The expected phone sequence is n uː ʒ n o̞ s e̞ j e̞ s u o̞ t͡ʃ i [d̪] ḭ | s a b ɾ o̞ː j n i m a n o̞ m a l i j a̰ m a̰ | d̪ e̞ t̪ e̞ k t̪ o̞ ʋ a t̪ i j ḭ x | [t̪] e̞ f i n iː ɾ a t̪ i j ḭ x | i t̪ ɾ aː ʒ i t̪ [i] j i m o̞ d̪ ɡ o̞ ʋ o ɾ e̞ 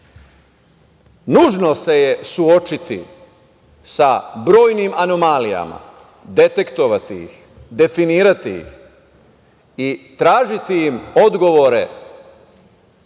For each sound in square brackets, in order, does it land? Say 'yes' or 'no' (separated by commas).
no, no, yes